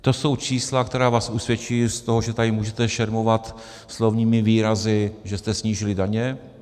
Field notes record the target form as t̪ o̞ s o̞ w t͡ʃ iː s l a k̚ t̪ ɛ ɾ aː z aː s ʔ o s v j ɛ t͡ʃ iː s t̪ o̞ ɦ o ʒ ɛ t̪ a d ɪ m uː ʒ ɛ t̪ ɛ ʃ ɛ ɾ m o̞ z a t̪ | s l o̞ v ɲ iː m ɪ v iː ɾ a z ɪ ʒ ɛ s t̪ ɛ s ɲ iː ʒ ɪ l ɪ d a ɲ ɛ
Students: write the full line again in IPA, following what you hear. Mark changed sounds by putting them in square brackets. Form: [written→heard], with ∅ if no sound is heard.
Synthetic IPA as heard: t̪ o̞ s o̞ w t͡ʃ iː s l a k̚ t̪ ɛ ɾ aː [z→v] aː s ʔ [o→u] s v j ɛ t͡ʃ iː s t̪ o̞ ɦ o ʒ ɛ t̪ a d ɪ m uː ʒ ɛ t̪ ɛ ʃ ɛ ɾ m o̞ [z→v] a t̪ | s l o̞ v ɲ iː m ɪ v iː ɾ a z ɪ ʒ ɛ s t̪ ɛ s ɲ iː ʒ ɪ l ɪ d a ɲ ɛ